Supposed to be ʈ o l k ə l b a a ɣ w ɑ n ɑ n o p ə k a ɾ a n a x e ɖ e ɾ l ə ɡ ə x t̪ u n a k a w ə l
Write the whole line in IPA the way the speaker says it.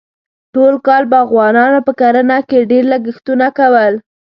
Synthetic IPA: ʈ o l k ɑ l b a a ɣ w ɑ n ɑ n o p ə k a ɾ a n a k e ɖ e ɾ l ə ɡ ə x t̪ u n a k a w ə l